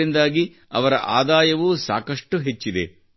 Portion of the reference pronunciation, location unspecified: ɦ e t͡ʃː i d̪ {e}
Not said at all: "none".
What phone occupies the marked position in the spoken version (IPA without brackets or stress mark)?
e